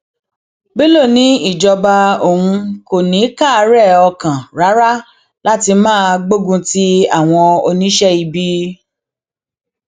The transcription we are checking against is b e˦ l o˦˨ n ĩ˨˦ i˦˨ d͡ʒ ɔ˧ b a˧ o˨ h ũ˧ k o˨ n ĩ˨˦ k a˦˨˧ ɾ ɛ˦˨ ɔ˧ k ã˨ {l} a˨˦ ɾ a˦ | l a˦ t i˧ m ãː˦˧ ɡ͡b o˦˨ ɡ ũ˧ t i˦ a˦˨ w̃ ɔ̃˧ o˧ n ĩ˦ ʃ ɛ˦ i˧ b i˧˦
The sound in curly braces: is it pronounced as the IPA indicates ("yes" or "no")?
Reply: no